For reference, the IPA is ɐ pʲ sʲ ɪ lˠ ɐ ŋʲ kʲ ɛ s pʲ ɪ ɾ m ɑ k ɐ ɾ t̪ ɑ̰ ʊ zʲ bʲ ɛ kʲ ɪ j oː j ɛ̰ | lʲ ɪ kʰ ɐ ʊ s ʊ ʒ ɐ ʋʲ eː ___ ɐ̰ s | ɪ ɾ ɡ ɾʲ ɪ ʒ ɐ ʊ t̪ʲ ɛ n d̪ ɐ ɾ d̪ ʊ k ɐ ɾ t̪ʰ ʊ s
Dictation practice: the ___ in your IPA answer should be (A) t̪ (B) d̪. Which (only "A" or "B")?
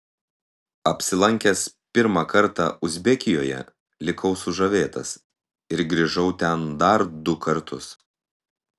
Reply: A